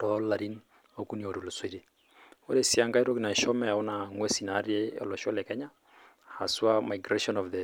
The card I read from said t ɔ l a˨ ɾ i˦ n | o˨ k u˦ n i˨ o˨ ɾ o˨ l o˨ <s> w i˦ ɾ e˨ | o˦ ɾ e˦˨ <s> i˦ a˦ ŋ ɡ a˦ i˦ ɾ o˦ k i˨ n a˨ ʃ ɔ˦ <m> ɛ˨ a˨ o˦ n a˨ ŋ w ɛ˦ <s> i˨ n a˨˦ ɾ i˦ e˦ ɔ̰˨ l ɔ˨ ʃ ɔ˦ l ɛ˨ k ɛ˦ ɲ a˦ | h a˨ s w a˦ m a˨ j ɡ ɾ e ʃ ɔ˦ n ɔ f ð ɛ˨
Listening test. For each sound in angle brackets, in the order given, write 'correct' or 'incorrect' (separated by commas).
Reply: correct, correct, correct, correct